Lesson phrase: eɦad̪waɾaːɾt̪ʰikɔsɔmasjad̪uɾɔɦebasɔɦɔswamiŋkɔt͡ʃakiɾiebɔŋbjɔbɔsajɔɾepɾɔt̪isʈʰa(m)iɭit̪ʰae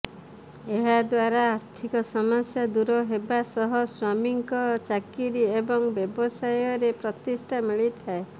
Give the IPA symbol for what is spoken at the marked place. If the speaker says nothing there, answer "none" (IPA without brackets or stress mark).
m